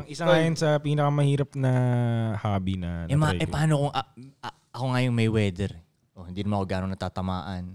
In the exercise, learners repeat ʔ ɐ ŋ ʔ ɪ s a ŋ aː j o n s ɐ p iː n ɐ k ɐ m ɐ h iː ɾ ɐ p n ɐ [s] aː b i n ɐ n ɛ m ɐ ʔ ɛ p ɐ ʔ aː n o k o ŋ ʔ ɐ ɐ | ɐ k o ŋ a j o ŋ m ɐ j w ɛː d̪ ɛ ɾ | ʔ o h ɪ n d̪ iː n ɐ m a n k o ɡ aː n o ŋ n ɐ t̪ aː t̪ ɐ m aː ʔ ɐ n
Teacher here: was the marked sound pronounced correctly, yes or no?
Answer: no